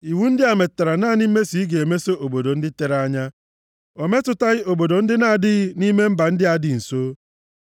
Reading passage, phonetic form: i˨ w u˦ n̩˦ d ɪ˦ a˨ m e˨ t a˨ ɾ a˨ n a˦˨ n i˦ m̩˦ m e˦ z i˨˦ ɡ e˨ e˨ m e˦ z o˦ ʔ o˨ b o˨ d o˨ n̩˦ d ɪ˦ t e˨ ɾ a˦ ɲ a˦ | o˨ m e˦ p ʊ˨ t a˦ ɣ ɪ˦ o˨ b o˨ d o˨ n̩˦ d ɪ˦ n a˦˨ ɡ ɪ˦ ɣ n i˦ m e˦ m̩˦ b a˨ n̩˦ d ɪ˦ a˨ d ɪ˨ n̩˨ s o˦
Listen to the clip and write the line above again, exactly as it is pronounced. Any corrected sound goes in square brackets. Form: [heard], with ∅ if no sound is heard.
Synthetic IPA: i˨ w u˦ n̩˦ d ɪ˦ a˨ m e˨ t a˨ ɾ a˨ n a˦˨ n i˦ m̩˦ m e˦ [s] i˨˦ ɡ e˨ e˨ m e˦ [s] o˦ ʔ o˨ b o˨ d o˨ n̩˦ d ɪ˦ t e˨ ɾ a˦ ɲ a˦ | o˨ m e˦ [t] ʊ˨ t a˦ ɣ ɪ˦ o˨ b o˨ d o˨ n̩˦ d ɪ˦ n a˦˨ [d] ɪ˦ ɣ n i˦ m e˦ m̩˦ b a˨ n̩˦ d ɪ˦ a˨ d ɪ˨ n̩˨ s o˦